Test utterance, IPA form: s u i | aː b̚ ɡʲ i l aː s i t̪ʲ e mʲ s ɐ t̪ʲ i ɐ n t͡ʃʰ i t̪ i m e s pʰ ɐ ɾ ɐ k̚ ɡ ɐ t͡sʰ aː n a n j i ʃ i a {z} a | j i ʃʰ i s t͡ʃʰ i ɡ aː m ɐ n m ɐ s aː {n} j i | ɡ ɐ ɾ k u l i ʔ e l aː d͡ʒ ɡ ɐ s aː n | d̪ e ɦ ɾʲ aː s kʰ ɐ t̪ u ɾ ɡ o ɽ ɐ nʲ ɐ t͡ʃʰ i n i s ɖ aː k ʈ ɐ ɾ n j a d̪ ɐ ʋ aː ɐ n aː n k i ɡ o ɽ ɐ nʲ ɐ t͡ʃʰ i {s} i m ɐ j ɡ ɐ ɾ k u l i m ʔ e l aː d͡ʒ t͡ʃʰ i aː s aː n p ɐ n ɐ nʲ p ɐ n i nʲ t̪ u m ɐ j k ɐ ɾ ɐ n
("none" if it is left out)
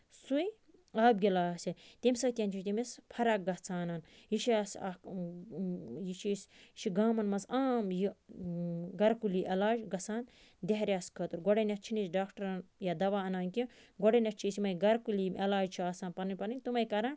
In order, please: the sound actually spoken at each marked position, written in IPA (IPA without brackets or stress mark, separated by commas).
s, m, s